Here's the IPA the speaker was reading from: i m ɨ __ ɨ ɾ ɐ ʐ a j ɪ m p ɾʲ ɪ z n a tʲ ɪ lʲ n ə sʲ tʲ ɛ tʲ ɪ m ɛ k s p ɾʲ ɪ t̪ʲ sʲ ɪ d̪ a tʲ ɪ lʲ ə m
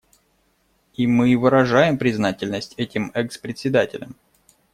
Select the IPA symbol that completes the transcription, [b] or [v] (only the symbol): v